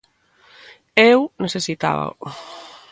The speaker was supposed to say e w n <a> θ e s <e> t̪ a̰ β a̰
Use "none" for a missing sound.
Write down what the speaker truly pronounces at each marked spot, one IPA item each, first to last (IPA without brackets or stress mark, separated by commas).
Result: e, i